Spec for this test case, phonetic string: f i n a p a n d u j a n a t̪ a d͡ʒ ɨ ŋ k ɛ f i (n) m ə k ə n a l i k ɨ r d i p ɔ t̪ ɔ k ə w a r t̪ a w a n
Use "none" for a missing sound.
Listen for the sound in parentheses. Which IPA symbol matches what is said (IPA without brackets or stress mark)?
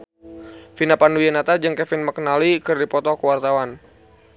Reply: n